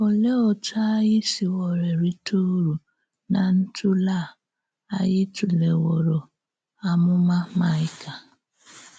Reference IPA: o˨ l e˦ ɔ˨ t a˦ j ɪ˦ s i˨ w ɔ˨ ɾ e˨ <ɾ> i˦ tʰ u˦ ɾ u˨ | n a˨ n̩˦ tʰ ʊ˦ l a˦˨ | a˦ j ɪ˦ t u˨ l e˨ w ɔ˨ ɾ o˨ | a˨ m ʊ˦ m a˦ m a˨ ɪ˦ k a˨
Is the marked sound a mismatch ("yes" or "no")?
no